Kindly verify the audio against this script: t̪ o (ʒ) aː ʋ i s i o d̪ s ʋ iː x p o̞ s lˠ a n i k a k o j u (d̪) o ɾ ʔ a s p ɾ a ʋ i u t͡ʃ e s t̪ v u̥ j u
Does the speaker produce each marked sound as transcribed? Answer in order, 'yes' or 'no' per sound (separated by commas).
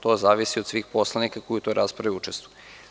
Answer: no, no